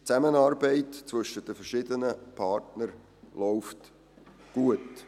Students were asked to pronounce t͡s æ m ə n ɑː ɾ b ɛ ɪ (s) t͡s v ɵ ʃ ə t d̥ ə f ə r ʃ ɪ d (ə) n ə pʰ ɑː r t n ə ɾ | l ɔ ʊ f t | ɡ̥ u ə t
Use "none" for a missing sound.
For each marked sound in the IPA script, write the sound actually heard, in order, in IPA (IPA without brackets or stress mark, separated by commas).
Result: t, ə